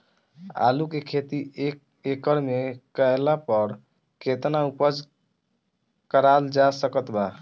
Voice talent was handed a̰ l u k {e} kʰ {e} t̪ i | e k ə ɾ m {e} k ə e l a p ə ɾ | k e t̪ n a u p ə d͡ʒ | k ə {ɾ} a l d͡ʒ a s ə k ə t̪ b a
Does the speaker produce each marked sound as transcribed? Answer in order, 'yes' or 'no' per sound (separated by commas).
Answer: yes, yes, yes, yes